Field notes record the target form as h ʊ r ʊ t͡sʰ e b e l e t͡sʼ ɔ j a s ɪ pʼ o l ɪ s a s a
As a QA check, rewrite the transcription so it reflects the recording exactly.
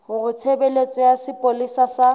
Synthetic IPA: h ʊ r ʊ t͡sʰ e b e l e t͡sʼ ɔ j a s ɪ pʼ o l i s a s a